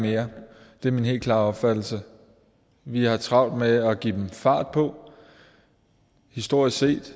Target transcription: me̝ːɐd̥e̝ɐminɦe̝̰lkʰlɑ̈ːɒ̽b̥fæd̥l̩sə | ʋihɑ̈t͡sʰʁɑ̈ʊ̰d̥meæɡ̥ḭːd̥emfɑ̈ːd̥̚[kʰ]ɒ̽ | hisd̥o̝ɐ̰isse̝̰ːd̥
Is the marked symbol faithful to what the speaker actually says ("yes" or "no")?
no